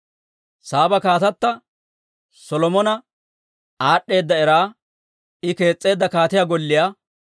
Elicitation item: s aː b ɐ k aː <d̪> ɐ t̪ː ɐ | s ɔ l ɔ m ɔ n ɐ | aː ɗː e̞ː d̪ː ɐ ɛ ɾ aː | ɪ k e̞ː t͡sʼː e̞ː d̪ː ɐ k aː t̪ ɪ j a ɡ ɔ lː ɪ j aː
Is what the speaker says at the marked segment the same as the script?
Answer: no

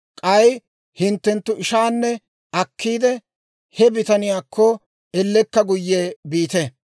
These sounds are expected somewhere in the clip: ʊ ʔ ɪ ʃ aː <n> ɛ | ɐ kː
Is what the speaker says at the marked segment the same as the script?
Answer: no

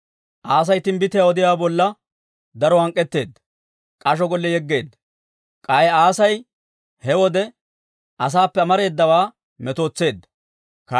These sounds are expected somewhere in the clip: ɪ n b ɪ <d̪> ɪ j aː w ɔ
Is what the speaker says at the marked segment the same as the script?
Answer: no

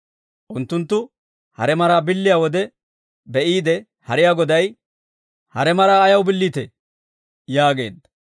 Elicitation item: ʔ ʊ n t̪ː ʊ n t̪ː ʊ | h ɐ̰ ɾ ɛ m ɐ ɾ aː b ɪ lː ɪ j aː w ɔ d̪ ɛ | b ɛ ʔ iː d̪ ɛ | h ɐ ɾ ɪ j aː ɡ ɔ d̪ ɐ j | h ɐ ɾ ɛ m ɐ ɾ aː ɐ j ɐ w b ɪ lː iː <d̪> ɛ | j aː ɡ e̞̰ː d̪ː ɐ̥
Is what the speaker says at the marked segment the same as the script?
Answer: no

